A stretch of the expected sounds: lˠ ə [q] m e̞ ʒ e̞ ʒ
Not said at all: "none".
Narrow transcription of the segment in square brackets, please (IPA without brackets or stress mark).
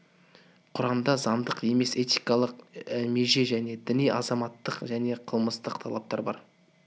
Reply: q